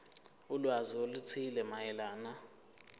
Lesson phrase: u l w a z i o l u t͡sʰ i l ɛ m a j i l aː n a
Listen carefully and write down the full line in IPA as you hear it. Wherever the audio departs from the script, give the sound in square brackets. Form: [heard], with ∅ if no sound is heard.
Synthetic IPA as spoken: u l w a z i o l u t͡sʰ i l ɛ m a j [ɛ] l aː n a